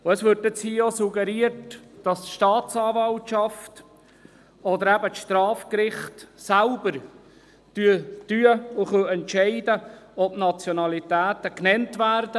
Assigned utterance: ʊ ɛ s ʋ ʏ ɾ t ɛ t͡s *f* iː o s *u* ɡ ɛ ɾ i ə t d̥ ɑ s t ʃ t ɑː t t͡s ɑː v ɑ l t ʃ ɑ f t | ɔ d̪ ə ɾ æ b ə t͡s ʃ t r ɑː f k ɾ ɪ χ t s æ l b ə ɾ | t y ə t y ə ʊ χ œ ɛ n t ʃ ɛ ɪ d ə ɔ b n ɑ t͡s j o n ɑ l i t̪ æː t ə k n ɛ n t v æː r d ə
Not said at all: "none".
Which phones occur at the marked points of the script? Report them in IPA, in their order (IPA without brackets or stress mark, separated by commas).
h, u